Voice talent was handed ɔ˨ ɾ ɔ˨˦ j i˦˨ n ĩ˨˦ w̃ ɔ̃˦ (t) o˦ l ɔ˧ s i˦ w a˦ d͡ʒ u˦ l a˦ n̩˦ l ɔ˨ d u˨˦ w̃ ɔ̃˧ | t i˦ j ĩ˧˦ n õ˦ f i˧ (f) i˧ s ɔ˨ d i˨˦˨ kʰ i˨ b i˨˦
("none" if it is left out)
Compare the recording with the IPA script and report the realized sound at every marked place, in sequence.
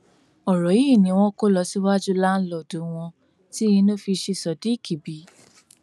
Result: k, ʃ

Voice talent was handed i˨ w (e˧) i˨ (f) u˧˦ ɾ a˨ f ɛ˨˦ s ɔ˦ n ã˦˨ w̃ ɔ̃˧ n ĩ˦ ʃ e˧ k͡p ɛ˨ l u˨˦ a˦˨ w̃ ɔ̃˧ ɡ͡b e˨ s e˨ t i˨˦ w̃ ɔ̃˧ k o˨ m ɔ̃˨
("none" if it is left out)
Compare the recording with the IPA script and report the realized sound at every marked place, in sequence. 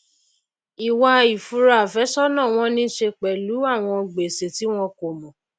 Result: a˧, f

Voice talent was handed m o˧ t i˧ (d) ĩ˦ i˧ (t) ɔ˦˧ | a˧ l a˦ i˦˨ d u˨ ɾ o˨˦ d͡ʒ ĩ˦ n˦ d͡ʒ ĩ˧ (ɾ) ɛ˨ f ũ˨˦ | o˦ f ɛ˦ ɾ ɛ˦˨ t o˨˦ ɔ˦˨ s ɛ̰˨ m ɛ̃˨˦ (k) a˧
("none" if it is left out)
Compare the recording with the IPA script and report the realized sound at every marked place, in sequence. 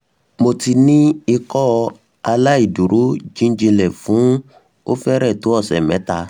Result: n, k, l, t

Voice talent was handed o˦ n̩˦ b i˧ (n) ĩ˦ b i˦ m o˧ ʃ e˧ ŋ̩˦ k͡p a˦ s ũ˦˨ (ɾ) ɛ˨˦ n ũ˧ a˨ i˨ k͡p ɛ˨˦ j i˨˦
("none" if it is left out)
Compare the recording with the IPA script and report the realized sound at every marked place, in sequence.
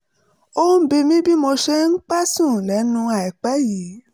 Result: m, l

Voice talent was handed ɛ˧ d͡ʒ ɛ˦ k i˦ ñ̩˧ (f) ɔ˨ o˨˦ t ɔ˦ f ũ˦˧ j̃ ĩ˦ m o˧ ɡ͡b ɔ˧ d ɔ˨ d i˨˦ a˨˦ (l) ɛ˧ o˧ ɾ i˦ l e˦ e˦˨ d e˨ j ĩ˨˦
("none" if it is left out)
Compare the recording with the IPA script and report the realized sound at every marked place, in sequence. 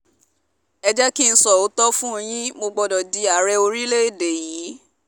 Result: s, ɾ

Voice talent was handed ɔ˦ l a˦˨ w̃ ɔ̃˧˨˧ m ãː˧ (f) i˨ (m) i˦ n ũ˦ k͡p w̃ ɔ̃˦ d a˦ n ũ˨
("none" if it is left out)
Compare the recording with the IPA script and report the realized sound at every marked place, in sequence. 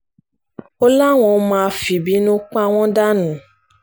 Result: f, b

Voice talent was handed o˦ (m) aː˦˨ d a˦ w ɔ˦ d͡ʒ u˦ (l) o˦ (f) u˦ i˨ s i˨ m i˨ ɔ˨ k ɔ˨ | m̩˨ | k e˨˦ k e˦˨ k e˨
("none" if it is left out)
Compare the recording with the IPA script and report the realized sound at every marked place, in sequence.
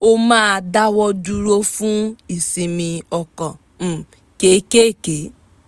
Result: m, ɾ, f

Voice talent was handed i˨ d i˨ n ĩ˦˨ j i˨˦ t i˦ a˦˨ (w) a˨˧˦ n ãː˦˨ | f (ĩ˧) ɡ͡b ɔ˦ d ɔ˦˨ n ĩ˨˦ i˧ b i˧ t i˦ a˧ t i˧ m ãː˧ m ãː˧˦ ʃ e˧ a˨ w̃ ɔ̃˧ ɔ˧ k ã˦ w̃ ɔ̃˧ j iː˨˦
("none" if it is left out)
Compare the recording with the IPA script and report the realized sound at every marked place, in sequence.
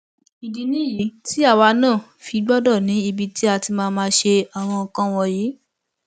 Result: w, i˧

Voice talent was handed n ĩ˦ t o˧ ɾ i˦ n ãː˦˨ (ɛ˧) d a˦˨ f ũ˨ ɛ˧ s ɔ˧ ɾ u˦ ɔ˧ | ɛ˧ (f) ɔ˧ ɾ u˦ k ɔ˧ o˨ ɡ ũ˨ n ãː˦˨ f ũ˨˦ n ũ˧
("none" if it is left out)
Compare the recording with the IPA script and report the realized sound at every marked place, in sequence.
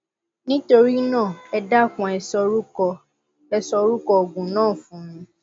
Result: ɛ˧, s

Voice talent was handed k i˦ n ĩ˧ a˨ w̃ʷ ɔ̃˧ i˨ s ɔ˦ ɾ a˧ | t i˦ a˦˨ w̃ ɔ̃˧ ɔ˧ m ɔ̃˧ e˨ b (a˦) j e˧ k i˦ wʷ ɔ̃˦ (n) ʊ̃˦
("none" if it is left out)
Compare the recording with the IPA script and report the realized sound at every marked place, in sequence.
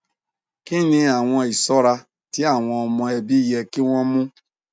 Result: i˦, m

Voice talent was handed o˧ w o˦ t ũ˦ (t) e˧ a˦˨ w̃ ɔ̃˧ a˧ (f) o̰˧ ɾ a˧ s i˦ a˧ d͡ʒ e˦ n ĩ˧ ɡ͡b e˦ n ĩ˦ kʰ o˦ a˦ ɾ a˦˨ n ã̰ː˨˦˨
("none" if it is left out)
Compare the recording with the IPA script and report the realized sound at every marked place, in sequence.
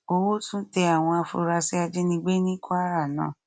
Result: t, f

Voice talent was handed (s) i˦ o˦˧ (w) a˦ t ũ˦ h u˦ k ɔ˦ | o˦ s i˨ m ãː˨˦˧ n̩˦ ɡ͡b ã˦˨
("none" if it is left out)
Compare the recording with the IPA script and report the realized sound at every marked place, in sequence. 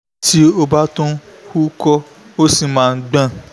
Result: t, b

